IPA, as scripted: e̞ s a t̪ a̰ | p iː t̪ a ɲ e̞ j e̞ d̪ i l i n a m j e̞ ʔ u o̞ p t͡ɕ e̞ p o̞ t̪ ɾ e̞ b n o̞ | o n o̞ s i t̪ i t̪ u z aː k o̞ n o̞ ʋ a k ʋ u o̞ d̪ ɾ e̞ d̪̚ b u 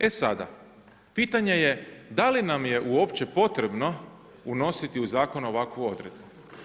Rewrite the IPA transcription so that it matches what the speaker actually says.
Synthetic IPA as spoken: e̞ s a d̪ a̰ | p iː t̪ a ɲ e̞ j e̞ d̪ a l i n a m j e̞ ʔ u o̞ p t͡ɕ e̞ p o̞ t̪ ɾ e̞ b n o̞ | u n o̞ s i t̪ i u z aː k o̞ n o̞ ʋ a k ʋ u o̞ d̪ ɾ e̞ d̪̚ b u